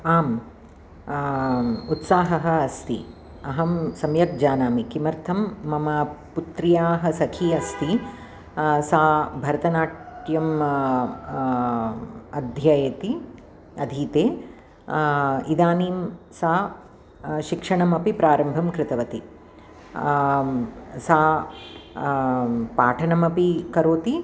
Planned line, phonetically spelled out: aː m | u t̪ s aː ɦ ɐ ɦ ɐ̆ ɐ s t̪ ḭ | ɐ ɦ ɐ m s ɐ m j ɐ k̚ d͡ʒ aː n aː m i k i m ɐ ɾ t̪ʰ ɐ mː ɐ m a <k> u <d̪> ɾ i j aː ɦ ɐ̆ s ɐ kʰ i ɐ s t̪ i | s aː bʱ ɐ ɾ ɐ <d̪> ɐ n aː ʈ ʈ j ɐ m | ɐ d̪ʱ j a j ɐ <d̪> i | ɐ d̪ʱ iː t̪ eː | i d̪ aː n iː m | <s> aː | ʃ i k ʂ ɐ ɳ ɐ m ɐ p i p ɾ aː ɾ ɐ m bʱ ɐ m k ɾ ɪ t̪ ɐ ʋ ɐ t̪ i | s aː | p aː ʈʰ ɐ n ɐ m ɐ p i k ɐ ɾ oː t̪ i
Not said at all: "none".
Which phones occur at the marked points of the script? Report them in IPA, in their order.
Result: p, t̪, t̪, t̪, s

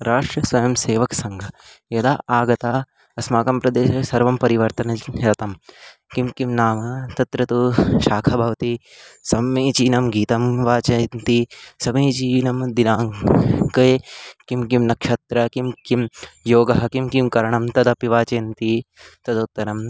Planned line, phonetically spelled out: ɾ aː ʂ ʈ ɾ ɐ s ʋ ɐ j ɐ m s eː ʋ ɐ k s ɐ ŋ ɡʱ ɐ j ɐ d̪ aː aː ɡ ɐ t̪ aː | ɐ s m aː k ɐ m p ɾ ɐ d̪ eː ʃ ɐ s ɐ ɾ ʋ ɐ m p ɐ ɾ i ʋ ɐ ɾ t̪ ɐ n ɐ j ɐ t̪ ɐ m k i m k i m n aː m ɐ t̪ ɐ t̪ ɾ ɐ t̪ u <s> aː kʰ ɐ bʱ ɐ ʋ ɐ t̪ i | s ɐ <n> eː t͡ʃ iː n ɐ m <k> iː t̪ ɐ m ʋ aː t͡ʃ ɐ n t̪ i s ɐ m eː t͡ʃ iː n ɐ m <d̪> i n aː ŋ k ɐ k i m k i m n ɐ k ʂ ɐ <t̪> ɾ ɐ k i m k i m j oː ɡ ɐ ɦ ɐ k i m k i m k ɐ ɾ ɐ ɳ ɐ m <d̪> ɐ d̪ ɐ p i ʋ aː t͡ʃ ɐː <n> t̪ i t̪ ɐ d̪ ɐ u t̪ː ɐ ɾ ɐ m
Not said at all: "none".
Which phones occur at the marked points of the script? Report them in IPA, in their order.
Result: ʃ, m, ɡ, d̪, t̪, t̪, n

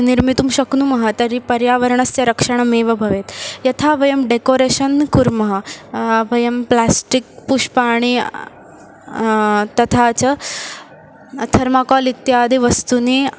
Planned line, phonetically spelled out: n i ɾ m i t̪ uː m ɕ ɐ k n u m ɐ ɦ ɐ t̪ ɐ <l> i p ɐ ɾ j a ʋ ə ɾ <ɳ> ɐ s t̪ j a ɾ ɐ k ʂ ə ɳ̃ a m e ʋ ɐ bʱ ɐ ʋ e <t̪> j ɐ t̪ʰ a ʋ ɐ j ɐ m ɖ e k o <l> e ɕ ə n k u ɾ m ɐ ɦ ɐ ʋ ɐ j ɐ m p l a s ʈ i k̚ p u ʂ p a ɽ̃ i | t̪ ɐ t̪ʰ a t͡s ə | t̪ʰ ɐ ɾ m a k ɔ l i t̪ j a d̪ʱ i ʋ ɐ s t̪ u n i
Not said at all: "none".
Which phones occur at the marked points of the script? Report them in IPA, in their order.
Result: ɾ, ɳ, t̪, ɾ

